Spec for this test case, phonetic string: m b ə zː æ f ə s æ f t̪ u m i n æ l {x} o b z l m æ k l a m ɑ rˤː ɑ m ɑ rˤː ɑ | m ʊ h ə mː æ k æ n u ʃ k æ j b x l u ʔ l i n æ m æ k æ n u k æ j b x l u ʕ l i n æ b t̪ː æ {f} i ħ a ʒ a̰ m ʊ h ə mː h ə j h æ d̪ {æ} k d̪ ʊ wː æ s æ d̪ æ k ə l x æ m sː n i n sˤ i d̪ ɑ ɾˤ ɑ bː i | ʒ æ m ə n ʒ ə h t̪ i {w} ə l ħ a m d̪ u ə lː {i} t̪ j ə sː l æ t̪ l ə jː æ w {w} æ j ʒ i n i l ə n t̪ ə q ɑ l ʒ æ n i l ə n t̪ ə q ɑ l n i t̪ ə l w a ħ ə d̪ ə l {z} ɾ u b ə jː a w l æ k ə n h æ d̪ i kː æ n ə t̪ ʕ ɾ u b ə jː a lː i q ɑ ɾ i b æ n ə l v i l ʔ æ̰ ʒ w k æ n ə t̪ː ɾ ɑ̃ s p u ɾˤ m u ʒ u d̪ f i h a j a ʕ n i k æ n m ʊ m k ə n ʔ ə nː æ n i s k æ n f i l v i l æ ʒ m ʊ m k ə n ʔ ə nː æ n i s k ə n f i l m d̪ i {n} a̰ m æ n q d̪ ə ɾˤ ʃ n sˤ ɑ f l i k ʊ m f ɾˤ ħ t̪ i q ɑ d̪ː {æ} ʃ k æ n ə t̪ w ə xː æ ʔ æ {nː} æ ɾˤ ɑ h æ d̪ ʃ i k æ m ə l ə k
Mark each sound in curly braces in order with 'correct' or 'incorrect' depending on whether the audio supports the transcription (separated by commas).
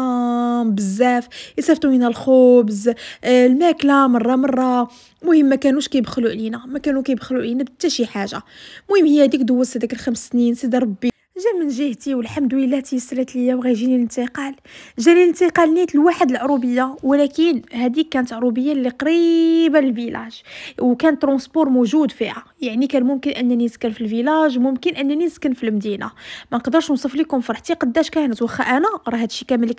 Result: correct, incorrect, incorrect, correct, incorrect, incorrect, incorrect, correct, correct, incorrect